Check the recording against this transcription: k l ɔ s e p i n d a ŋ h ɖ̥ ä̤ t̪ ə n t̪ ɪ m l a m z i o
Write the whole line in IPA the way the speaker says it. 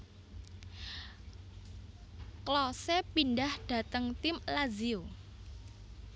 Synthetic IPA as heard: k l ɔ s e p i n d a h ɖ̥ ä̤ t̪ ə ŋ t̪ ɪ m l a z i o